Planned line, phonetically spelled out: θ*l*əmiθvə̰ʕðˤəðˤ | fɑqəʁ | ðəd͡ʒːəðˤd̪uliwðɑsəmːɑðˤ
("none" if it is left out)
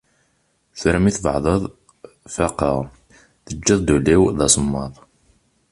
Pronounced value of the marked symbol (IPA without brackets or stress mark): ɾ